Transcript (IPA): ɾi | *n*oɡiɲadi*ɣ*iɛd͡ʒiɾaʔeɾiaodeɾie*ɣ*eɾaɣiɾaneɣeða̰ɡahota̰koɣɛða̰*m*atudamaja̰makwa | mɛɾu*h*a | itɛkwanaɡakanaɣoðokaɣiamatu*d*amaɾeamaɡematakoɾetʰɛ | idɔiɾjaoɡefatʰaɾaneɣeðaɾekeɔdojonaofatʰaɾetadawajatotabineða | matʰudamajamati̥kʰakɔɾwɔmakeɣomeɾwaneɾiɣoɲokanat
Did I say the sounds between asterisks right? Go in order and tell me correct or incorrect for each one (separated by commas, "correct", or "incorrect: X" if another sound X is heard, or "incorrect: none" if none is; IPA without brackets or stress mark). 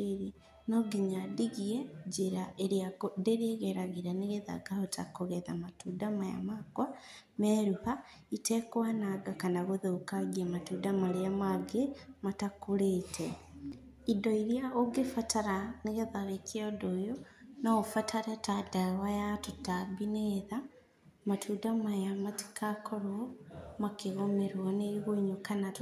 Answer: correct, correct, correct, correct, correct, correct